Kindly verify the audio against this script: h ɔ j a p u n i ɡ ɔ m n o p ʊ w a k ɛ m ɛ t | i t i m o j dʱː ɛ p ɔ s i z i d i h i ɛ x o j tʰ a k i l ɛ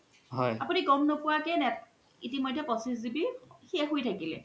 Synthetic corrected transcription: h ɔ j a p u n i ɡ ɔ m n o p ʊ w a k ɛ n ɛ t | i t i m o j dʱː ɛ p ɔ s i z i b i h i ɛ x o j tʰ a k i l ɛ